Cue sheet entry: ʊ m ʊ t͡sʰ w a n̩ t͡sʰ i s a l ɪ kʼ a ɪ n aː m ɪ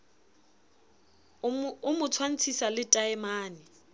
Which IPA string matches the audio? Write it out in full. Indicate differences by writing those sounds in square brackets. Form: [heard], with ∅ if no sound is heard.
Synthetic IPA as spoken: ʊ m ʊ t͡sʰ w a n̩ t͡sʰ i s a l ɪ [tʼ] a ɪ [m] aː [n] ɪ